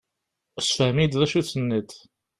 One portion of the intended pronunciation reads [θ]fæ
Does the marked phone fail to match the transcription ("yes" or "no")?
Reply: yes